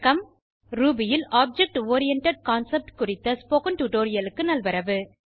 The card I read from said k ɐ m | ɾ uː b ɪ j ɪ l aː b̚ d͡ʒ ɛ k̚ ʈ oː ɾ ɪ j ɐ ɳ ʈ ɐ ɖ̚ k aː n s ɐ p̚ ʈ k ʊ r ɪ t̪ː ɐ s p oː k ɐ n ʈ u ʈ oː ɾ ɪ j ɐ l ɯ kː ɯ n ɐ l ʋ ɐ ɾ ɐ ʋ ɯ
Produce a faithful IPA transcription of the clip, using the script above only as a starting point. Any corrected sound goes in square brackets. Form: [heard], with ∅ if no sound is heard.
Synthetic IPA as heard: k ɐ m | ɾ uː b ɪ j ɪ l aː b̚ d͡ʒ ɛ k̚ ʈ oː ɾ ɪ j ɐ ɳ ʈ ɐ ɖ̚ k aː n s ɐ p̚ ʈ k ʊ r ɪ t̪ː ɐ s p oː k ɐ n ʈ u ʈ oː ɾ ɪ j ɐ l ɯ kː ɯ n ɐ l ʋ ɐ ɾ ɐ ʋ ɯ